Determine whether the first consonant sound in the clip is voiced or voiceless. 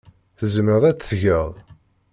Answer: voiceless